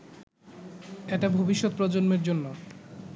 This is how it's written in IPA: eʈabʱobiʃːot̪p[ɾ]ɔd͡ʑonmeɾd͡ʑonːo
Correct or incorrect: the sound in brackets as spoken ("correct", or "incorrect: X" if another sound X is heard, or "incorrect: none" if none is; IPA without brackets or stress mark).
correct